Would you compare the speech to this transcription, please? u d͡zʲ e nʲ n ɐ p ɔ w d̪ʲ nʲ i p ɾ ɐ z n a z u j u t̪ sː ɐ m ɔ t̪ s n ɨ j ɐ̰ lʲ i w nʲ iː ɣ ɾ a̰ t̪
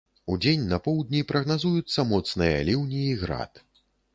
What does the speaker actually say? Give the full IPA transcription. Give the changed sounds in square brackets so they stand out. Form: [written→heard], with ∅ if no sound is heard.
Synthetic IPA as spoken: u d͡zʲ e nʲ n ɐ p ɔ w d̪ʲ nʲ i p ɾ ɐ [z→ɣ] n a z u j u t̪ sː ɐ m ɔ t̪ s n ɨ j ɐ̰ lʲ i w nʲ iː ɣ ɾ a̰ t̪

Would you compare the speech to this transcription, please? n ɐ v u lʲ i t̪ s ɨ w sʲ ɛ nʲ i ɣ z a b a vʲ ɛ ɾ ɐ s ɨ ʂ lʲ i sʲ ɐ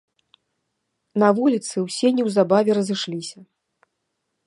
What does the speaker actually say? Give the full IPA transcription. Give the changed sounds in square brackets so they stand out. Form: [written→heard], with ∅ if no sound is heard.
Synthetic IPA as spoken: n ɐ v u lʲ i t̪ s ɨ w sʲ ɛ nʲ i [ɣ→w] z a b a vʲ ɛ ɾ ɐ [s→z] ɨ ʂ lʲ i sʲ ɐ

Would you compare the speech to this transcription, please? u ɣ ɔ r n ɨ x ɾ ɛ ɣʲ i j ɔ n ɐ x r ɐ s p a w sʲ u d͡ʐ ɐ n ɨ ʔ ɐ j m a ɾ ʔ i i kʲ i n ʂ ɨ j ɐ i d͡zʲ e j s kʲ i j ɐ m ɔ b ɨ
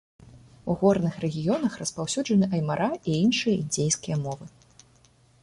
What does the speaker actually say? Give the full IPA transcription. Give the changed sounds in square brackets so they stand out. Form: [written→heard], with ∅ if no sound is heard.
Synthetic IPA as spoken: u ɣ ɔ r n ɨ x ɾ ɛ ɣʲ i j ɔ n ɐ x r ɐ s p a w sʲ u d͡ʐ ɐ n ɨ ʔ ɐ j m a ɾ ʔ [i→a] i [kʲ→∅] i n ʂ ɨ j ɐ i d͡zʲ e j s kʲ i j ɐ m ɔ [b→v] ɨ

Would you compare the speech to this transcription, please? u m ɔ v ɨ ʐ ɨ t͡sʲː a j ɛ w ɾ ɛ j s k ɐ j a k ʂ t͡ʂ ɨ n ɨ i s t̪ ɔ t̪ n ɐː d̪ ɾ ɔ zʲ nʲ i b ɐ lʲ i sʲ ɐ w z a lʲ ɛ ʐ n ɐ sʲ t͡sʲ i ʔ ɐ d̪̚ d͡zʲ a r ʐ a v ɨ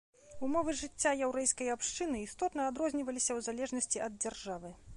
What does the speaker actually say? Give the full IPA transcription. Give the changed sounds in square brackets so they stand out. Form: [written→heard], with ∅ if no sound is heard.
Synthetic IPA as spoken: u m ɔ v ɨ ʐ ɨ t͡sʲː a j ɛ w ɾ ɛ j s k ɐ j a [k→p] ʂ t͡ʂ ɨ n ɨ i s t̪ ɔ t̪ n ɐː d̪ ɾ ɔ zʲ nʲ i [b→v] ɐ lʲ i sʲ ɐ w z a lʲ ɛ ʐ n ɐ sʲ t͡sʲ i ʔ ɐ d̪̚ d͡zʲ a r ʐ a v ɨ

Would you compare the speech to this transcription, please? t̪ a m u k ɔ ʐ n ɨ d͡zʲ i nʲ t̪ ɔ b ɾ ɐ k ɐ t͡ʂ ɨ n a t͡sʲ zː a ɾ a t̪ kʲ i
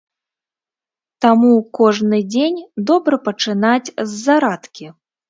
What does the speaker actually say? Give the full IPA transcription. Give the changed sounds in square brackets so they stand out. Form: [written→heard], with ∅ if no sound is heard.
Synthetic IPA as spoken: t̪ a m u k ɔ ʐ n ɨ d͡zʲ [i→e] nʲ [t̪→d̪] ɔ b ɾ ɐ [k→p] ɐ t͡ʂ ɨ n a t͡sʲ zː a ɾ a t̪ kʲ i

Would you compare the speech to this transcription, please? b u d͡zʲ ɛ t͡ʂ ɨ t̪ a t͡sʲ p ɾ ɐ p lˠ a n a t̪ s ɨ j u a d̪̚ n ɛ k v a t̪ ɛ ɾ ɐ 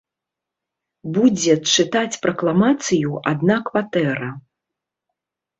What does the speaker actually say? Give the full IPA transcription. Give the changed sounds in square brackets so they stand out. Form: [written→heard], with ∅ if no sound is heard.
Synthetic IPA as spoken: b u d͡zʲ ɛ t͡ʂ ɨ t̪ a t͡sʲ p ɾ ɐ [p→k] lˠ a [n→m] a t̪ s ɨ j u a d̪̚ n [ɛ→a] k v a t̪ ɛ ɾ ɐ

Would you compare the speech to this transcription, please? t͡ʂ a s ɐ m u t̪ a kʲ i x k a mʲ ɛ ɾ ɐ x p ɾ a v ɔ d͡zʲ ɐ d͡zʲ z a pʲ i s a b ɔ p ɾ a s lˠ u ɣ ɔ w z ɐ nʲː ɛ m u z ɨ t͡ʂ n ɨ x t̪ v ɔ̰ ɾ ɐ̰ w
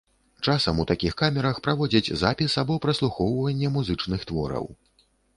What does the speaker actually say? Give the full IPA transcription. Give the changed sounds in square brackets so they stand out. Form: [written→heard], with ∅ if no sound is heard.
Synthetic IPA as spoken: t͡ʂ a s ɐ m u t̪ a kʲ i x k a mʲ ɛ ɾ ɐ x p ɾ a v ɔ d͡zʲ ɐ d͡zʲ z a pʲ i s a b ɔ p ɾ [a→ɐ] s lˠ u [ɣ→x] ɔ w [z→v] ɐ nʲː ɛ m u z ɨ t͡ʂ n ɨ x t̪ v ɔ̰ ɾ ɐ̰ w

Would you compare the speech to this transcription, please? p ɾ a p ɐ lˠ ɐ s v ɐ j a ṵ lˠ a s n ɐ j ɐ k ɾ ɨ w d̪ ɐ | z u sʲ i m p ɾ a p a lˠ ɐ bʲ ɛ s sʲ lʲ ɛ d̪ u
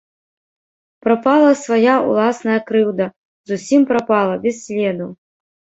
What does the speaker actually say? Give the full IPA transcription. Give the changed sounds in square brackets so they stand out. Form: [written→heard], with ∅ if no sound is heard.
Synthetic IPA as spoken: p ɾ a p [ɐ→a] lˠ ɐ s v [ɐ→a] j a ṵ lˠ a s n ɐ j ɐ k ɾ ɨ w d̪ ɐ | z u sʲ i m p ɾ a p a lˠ ɐ bʲ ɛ s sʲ lʲ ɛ d̪ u

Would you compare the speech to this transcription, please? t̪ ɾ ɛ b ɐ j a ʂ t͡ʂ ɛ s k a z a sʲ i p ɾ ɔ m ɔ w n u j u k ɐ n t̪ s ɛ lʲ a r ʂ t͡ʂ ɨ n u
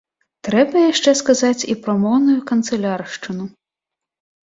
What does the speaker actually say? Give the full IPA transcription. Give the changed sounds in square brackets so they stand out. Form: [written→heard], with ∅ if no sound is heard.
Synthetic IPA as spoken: t̪ ɾ ɛ b ɐ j a ʂ t͡ʂ ɛ s k a z a [sʲ→t͡sʲ] i p ɾ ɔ m ɔ w n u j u k ɐ n t̪ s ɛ lʲ a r ʂ t͡ʂ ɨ n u

